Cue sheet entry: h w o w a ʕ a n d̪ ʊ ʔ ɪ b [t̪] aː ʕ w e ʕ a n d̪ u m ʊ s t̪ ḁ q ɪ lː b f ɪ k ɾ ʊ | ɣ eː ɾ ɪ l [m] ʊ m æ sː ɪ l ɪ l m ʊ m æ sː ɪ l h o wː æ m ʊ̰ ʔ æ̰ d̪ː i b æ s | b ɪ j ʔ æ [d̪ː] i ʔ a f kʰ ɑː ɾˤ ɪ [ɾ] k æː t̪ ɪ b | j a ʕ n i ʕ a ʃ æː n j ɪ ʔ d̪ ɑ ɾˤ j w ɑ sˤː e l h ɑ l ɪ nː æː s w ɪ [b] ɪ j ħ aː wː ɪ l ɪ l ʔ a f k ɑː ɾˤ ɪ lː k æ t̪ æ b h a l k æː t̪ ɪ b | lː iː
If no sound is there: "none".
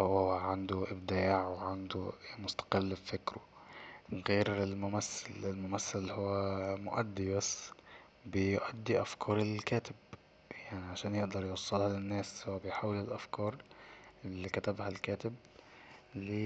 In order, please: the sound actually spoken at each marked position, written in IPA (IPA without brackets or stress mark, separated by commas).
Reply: d̪, m, d̪ː, l, b